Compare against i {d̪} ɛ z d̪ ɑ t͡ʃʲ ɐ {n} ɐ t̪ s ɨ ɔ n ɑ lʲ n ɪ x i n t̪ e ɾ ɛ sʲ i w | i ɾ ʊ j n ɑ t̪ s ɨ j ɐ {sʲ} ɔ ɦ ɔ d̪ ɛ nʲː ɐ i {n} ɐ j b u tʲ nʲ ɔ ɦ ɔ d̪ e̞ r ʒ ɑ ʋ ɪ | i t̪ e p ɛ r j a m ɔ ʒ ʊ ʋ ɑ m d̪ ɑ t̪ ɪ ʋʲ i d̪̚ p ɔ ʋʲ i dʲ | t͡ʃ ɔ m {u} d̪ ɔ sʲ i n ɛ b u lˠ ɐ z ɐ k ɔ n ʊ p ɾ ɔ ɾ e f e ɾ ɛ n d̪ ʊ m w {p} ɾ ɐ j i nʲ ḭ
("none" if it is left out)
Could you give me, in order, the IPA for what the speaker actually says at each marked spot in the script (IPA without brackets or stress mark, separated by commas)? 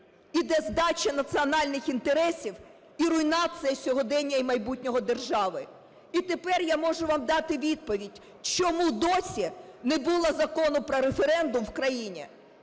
d̪, n, sʲ, m, u, k